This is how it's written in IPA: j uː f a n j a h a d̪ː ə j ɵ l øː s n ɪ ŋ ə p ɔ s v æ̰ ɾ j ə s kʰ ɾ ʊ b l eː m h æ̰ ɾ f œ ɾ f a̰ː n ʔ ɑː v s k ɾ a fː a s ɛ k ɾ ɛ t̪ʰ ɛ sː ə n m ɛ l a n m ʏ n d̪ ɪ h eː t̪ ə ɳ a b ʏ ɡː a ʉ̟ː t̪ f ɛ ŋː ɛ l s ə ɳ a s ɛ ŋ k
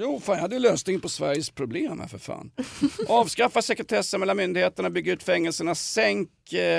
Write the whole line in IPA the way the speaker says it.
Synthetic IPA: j uː f a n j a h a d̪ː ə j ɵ l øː s n ɪ ŋ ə p ɔ s v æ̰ ɾ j ə s pʰ ɾ ʊ b l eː m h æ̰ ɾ f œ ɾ f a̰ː n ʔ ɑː v s k ɾ a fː a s ɛ k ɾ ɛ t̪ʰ ɛ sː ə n m ɛ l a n m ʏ n d̪ ɪ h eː t̪ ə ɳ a b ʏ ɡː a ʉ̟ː t̪ f ɛ ŋː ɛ l s ə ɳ a s ɛ ŋ k